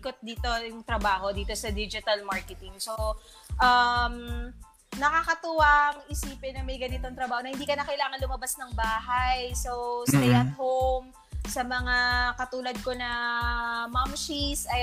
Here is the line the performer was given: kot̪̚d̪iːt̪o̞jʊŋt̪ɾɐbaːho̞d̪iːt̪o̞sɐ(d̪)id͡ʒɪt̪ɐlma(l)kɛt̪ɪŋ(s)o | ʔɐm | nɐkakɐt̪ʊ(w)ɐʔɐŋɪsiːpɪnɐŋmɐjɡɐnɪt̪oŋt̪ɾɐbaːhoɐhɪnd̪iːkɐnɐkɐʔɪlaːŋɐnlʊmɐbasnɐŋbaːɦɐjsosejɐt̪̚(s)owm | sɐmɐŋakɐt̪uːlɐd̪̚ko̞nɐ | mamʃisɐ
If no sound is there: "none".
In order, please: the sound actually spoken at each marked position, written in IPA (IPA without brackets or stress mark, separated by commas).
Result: d̪, ɹ, s, w, h